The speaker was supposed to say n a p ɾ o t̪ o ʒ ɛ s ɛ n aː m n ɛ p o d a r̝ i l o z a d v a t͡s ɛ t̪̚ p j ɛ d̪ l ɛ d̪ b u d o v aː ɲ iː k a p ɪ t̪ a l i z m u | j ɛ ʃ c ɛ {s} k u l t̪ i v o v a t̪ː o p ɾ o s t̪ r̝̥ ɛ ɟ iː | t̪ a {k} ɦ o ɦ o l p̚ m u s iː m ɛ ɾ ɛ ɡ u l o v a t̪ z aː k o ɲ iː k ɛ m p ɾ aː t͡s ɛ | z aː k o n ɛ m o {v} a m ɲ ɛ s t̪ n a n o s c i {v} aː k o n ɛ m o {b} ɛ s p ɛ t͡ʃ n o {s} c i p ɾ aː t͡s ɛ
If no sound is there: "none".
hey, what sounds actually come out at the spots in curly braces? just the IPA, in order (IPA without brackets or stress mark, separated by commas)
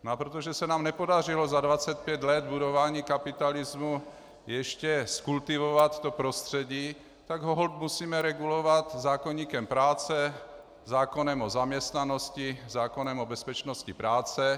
s, ɡ, z, z, b, s